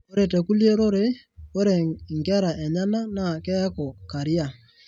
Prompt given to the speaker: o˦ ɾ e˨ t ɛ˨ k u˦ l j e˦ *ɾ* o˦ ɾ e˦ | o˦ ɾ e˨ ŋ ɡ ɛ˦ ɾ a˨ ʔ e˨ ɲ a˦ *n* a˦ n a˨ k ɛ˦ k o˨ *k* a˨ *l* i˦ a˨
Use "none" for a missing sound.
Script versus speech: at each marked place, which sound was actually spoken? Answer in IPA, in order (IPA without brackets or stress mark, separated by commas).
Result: ɾ, n, k, ɾ